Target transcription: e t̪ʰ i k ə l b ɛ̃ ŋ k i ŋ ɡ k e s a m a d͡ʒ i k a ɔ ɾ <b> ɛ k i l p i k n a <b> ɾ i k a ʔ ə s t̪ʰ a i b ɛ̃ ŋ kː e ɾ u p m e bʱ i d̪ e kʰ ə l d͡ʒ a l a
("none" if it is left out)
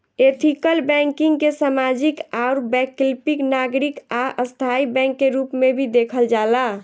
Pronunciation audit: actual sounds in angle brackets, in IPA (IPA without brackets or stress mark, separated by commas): b, ɡ